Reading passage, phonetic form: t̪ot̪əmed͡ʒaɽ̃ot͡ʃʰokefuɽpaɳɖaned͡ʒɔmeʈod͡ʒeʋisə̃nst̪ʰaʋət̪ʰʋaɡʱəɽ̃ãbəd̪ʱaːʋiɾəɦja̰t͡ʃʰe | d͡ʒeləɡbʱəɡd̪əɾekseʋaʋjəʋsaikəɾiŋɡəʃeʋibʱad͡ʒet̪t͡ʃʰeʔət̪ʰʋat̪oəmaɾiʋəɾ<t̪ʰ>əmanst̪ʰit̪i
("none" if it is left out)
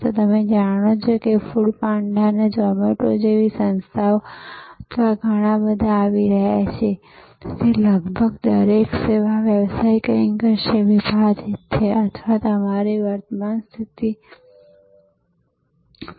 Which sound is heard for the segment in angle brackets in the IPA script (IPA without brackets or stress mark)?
t̪